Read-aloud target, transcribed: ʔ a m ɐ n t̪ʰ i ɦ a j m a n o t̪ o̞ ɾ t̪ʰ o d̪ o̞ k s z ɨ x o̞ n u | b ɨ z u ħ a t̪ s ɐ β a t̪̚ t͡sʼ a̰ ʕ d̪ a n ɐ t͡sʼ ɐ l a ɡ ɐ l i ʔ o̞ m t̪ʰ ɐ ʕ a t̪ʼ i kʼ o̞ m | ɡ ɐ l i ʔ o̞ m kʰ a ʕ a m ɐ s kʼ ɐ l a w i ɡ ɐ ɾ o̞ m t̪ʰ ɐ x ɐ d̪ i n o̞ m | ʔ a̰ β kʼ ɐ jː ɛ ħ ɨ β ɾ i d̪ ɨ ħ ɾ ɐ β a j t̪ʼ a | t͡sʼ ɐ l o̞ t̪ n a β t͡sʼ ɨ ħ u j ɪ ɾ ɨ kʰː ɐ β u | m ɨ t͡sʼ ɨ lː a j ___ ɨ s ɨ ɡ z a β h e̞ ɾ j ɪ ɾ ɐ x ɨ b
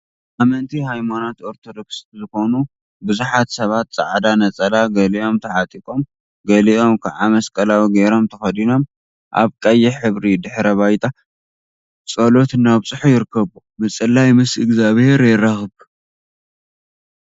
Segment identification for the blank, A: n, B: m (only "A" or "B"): B